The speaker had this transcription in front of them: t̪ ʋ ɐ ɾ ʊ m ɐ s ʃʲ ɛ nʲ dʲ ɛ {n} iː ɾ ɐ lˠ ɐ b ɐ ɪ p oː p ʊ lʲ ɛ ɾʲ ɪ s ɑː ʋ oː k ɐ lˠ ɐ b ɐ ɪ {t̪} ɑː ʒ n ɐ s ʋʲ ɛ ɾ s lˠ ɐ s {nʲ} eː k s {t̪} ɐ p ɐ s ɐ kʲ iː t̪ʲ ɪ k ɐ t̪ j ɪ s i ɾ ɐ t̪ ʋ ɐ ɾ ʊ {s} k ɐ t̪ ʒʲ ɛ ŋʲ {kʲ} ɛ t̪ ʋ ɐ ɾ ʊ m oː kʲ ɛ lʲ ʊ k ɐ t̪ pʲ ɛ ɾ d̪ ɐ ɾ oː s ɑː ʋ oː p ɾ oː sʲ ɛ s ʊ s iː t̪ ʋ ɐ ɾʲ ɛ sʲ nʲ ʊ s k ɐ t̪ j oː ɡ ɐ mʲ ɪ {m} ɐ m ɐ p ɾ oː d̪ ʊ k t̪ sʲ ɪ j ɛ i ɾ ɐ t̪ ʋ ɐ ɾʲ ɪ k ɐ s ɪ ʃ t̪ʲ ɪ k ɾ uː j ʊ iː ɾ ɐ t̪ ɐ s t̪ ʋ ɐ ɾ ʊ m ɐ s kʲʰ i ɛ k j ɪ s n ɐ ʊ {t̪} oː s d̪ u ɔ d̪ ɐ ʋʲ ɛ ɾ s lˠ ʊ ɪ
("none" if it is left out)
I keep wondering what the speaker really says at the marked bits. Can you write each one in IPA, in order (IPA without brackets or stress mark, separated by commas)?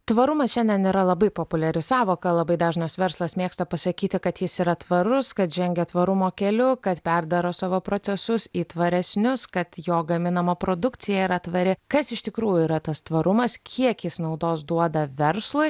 n, d̪, mʲ, t̪, s, ɡʲ, n, d̪